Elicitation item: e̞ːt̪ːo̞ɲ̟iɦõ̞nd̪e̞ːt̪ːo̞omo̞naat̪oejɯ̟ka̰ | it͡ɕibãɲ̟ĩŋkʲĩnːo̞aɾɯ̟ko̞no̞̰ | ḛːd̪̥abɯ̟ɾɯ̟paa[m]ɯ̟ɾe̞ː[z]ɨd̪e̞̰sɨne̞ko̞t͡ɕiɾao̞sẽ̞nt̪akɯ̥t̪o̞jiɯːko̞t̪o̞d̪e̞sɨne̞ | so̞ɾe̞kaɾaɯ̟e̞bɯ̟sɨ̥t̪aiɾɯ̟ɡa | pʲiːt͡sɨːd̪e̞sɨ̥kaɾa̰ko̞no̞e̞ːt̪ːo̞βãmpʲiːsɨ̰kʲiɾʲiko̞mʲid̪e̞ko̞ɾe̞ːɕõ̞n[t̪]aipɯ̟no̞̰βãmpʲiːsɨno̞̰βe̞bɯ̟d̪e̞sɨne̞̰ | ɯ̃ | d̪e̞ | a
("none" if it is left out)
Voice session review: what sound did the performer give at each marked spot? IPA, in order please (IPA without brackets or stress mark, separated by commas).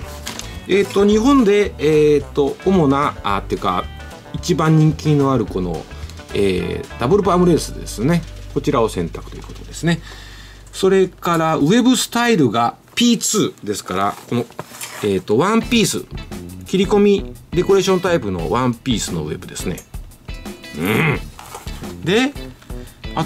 m, s, t̪